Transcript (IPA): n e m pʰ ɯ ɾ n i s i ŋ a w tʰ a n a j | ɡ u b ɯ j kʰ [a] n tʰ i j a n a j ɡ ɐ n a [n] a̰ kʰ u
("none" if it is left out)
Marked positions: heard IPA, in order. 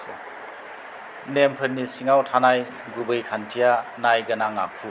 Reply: a, ŋ

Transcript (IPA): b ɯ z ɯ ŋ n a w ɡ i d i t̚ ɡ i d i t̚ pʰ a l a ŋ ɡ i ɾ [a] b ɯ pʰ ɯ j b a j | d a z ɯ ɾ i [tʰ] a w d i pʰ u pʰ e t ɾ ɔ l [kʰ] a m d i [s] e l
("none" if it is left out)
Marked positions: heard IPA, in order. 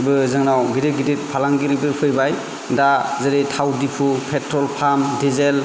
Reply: i, tʰ, pʰ, z

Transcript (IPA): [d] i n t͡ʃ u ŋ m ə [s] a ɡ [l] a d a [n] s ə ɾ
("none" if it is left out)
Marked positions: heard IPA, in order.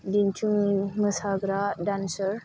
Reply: d, s, ɾ, n

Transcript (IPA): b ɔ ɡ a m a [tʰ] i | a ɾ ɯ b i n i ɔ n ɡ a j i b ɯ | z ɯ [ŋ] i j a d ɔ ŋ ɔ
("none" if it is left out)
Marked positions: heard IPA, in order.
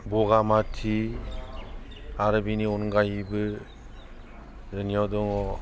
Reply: tʰ, n

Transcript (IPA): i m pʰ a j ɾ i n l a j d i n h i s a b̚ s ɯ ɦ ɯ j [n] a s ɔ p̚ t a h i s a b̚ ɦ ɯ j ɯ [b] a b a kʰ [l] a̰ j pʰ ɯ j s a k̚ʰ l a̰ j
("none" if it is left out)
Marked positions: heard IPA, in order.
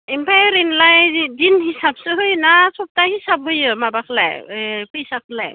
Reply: n, m, l

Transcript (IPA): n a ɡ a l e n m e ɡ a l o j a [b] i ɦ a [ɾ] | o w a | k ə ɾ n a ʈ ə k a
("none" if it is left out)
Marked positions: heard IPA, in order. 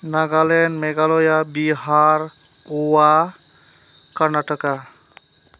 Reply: b, ɾ

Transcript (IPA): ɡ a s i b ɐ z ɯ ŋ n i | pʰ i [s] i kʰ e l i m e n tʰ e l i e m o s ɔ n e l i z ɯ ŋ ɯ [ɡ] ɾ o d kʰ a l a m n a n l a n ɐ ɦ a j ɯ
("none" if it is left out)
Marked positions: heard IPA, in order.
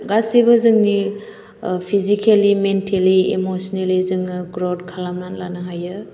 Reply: z, ɡ

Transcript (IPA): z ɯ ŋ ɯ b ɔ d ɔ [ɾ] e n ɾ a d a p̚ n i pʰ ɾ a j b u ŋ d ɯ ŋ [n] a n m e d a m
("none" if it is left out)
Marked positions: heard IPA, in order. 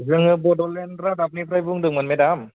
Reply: l, m

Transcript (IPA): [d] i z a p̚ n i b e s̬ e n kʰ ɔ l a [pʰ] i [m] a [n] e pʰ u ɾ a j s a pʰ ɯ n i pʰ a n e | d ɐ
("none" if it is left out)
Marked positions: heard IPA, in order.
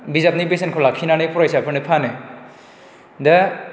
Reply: b, kʰ, n, n

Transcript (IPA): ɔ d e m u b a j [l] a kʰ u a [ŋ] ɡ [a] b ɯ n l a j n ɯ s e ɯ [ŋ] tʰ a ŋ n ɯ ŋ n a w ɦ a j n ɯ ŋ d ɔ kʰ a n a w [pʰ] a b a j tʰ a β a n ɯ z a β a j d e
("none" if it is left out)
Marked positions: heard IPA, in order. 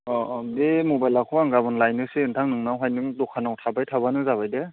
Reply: l, ŋ, a, n, tʰ

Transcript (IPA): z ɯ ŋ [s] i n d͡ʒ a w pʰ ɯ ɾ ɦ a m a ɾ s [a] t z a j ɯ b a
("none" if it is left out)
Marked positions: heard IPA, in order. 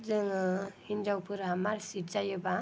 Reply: h, i

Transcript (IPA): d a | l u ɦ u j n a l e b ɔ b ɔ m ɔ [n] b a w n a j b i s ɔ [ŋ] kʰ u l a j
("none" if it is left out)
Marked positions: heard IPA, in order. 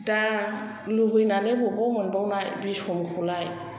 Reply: n, m

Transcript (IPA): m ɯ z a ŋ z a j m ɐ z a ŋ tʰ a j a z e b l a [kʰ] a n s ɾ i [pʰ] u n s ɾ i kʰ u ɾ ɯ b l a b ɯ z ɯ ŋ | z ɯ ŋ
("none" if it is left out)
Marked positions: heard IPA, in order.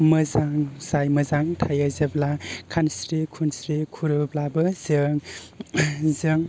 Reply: kʰ, kʰ

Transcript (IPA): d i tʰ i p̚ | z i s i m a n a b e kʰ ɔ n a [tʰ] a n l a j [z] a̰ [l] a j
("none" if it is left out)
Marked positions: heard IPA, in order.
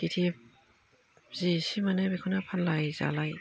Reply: pʰ, z, l

